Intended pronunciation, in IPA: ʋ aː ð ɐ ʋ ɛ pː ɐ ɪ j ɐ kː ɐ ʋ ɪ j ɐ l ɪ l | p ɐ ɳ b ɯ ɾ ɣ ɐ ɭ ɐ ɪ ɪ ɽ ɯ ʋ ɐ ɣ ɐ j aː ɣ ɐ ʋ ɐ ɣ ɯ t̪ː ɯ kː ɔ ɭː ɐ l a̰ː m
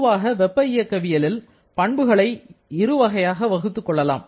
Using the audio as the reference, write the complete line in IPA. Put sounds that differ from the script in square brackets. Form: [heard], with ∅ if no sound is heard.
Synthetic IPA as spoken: ʋ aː [ɣ] ɐ ʋ ɛ pː ɐ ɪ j ɐ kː ɐ ʋ ɪ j ɐ l ɪ l | p ɐ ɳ b ɯ [∅] ɣ ɐ ɭ ɐ ɪ ɪ [ɾ] ɯ ʋ ɐ ɣ ɐ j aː ɣ ɐ ʋ ɐ ɣ ɯ t̪ː ɯ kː ɔ ɭː ɐ l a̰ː m

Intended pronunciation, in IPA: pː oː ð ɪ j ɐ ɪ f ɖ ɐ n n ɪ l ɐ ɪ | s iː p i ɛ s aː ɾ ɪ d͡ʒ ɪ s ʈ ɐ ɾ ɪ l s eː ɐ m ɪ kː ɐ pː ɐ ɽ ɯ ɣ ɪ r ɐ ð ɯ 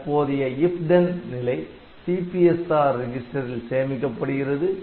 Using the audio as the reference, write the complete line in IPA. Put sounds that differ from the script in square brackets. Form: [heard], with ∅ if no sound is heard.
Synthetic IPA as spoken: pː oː ð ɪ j ɐ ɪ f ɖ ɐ n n ɪ l ɐ ɪ | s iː p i ɛ s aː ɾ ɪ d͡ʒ ɪ s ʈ ɐ ɾ ɪ l s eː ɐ m ɪ kː ɐ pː ɐ ɽ ɯ ɣ ɪ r ɐ ð ɯ

